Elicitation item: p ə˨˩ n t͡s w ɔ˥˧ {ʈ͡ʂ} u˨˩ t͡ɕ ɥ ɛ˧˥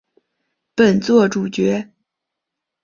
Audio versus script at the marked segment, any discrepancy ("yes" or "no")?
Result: no